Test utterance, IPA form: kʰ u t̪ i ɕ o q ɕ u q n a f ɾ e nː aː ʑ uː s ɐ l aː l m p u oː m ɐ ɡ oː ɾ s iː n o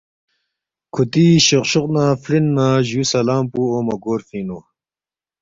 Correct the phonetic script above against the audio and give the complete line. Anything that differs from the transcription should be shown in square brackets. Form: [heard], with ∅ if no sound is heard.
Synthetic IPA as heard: kʰ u t̪ i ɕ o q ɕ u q n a f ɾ [i] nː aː ʑ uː s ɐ l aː [∅] m p u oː m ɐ ɡ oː ɾ [f] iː n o